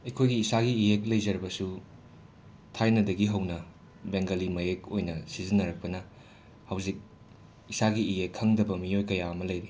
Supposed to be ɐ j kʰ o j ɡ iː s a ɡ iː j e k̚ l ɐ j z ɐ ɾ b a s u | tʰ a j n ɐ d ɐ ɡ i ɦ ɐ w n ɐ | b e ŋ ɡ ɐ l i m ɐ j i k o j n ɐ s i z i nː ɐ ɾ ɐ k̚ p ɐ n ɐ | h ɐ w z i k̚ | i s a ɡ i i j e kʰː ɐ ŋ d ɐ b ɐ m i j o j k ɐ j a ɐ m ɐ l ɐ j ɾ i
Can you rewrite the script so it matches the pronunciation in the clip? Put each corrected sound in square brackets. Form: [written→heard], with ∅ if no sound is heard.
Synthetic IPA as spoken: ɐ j kʰ o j ɡ iː s a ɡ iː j e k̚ l ɐ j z ɐ ɾ b [a→ɐ] s u | tʰ a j n ɐ d ɐ ɡ i ɦ ɐ w n ɐ | b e ŋ ɡ ɐ l i m ɐ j [i→e] k o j n ɐ s i z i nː ɐ ɾ ɐ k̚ p ɐ n ɐ | h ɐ w z i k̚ | i s a ɡ i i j e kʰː ɐ ŋ d ɐ b ɐ m i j o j k ɐ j a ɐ m ɐ l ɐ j ɾ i

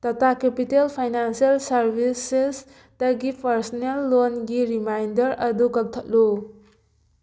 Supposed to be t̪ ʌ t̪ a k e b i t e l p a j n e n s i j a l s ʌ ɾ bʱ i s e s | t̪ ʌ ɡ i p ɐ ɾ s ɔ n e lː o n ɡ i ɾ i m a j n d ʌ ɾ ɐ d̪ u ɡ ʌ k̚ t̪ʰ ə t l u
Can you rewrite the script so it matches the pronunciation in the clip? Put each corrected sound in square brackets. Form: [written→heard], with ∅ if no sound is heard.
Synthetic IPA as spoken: t̪ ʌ t̪ a k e [b→p] i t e l [p→pʰ] a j n [e→a] n s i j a l s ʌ ɾ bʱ i s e s | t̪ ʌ ɡ i p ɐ ɾ s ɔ n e lː o n ɡ i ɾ i m a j n d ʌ ɾ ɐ d̪ u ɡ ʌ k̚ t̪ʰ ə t l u

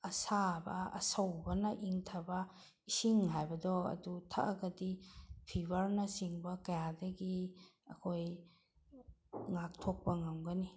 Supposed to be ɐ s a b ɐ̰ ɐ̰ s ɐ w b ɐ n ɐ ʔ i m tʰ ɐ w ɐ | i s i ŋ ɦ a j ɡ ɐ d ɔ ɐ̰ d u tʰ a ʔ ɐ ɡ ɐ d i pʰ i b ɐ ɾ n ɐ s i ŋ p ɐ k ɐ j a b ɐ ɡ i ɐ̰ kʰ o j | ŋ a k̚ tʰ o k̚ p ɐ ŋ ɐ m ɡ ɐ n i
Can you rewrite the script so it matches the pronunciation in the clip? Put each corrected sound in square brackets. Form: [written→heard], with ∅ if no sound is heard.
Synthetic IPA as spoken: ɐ s a b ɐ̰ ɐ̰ s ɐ w b ɐ n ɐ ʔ i [m→ŋ] tʰ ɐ [w→b] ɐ | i s i ŋ ɦ a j [ɡ→b] ɐ d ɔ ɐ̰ d u tʰ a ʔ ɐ ɡ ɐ d i pʰ i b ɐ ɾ n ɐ s i ŋ [p→b] ɐ k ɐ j a [b→d] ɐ ɡ i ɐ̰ kʰ o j | ŋ a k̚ tʰ o k̚ p ɐ ŋ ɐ m ɡ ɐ n i

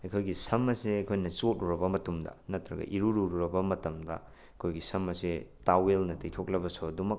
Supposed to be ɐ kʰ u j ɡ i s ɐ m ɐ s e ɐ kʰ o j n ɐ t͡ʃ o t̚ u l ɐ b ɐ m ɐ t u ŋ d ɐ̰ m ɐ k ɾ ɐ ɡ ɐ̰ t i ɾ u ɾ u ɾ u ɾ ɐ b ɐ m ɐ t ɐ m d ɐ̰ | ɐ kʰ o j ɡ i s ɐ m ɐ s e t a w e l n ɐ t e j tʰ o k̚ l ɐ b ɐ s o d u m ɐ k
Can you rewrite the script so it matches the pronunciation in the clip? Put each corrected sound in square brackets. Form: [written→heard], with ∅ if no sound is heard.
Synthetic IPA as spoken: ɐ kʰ [u→o] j ɡ i s ɐ m ɐ s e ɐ kʰ o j n ɐ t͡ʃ o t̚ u [l→ɾ] ɐ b ɐ m ɐ t u [ŋ→m] d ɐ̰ [m→n] ɐ [k→t] ɾ ɐ ɡ ɐ̰ [t→ʔ] i ɾ u ɾ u ɾ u ɾ ɐ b ɐ m ɐ t ɐ m d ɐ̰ | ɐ kʰ o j ɡ i s ɐ m ɐ s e t a w e l n ɐ t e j tʰ o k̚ l ɐ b ɐ s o d u m ɐ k

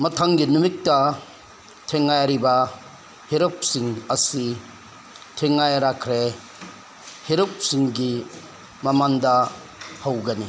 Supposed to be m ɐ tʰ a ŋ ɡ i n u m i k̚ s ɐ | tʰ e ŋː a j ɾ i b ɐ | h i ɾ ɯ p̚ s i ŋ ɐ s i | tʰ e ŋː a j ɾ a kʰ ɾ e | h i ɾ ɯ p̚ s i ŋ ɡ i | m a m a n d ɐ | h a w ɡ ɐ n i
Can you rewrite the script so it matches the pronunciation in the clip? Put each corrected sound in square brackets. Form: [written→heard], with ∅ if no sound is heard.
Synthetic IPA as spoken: m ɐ tʰ a ŋ ɡ i n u m i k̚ [s→t] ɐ | tʰ e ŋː a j ɾ i b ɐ | h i ɾ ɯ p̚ s i ŋ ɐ s i | tʰ e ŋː a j ɾ a kʰ ɾ e | h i ɾ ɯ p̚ s i ŋ ɡ i | m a m a n d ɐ | h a w ɡ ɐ n i

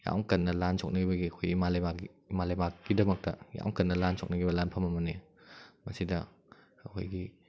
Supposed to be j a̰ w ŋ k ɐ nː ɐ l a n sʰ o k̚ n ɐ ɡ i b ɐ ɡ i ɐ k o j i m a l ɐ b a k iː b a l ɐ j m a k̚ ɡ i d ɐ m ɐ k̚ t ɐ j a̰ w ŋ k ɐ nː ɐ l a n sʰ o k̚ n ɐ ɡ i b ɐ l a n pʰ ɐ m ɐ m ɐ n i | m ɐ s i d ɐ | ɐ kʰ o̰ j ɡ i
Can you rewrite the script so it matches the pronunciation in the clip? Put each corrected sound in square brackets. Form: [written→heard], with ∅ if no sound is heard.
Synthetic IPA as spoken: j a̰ w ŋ k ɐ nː ɐ l a n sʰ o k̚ n ɐ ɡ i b ɐ ɡ i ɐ [k→kʰ] o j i m a l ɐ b a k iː [b→m] a l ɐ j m a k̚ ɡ i d ɐ m ɐ k̚ t ɐ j a̰ w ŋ k ɐ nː ɐ l a n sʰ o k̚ n ɐ ɡ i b ɐ l a n pʰ ɐ m ɐ m ɐ n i | m ɐ s i d ɐ | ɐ kʰ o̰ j ɡ i

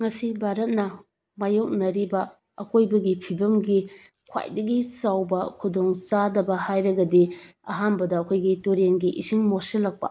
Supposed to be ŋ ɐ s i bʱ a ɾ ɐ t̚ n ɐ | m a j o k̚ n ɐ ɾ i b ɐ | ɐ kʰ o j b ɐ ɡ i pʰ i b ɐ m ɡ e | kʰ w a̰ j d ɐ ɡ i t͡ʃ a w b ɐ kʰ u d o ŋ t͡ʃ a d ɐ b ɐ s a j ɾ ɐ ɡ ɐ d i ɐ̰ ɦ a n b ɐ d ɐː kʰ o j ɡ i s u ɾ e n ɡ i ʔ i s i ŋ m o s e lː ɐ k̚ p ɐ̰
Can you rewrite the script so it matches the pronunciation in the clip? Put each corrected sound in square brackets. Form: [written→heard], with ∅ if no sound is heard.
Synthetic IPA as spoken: ŋ ɐ s i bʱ a ɾ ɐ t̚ n ɐ | m a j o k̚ n ɐ ɾ i b ɐ | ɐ [kʰ→k] o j b ɐ ɡ i pʰ i b ɐ m ɡ [e→i] | kʰ w a̰ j d ɐ ɡ i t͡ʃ a w b ɐ kʰ u d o ŋ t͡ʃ a d ɐ b ɐ [s→h] a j ɾ ɐ ɡ ɐ d i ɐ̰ ɦ a n b ɐ d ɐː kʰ o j ɡ i [s→t] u ɾ e n ɡ i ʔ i s i ŋ m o s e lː ɐ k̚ p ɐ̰

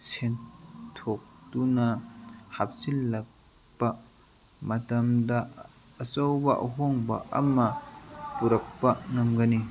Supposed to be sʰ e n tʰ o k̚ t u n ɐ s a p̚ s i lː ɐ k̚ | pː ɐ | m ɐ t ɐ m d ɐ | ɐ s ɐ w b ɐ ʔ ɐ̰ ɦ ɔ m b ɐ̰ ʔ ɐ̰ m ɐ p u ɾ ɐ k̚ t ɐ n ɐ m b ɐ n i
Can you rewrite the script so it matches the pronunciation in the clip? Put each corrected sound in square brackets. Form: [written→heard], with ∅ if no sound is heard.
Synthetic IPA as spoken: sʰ e n tʰ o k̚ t u n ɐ [s→h] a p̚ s i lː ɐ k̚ | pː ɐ | m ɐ t ɐ m d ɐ | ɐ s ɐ w b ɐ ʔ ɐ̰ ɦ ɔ [m→ŋ] b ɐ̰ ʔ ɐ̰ m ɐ p u ɾ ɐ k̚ [t→p] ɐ [n→ŋ] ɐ m [b→ɡ] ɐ n i

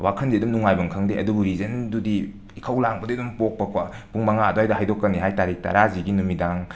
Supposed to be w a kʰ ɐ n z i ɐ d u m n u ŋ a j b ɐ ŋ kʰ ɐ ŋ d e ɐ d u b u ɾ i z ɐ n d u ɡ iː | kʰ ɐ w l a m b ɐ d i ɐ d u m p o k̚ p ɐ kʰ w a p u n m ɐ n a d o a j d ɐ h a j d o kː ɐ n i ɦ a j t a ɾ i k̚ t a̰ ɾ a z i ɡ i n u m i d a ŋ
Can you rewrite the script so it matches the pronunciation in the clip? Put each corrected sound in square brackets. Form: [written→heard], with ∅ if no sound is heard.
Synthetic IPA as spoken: w a kʰ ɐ n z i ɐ d u m n u ŋ a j b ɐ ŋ kʰ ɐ ŋ d e ɐ d u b u ɾ i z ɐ n d u [ɡ→d] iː | kʰ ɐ w l a [m→ŋ] b ɐ d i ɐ d u m p o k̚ p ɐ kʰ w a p u [n→ŋ] m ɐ [n→ŋ] a d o a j d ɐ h a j d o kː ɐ n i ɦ a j t a ɾ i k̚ t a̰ ɾ a z i ɡ i n u m i d a ŋ

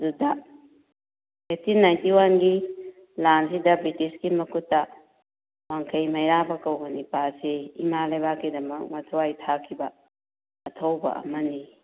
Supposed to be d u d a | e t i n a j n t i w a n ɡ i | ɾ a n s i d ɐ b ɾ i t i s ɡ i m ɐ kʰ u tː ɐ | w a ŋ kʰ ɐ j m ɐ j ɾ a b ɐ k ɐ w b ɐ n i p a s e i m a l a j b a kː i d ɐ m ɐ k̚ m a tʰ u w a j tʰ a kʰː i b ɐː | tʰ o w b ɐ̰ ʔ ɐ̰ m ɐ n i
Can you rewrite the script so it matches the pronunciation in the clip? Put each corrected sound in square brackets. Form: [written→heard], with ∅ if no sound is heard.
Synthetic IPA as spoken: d u d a | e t i n a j n t i w a n ɡ i | [ɾ→l] a n s i d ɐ b ɾ i t i s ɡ i m ɐ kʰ u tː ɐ | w a ŋ kʰ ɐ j m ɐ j ɾ a b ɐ k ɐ w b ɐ n i p a s e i m a l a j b a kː i d ɐ m ɐ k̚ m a tʰ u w a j tʰ a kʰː i b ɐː | tʰ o w b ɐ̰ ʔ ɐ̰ m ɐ n i

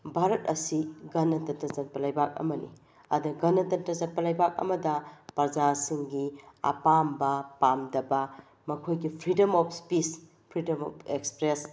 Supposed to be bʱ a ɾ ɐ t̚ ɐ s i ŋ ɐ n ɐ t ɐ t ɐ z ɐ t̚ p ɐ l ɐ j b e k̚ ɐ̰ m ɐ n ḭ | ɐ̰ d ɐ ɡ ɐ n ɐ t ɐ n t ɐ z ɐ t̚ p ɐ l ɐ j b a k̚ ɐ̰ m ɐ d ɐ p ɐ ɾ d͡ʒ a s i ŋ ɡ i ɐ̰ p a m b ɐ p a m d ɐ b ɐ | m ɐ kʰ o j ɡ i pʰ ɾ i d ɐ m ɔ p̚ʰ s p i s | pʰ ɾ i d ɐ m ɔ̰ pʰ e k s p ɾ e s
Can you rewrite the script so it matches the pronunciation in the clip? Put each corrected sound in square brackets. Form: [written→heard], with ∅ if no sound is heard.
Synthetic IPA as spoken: bʱ a ɾ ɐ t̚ ɐ s i [ŋ→ɡ] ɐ n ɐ t ɐ t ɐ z ɐ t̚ p ɐ l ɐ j b [e→a] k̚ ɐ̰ m ɐ n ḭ | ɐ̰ d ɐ ɡ ɐ n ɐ t ɐ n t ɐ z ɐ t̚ p ɐ l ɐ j b a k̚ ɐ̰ m ɐ d ɐ p ɐ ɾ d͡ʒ a s i ŋ ɡ i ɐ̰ p a m b ɐ p a m d ɐ b ɐ | m ɐ kʰ o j ɡ i pʰ ɾ i d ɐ m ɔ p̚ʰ s p i s | pʰ ɾ i d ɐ m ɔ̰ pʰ e k s p ɾ e s

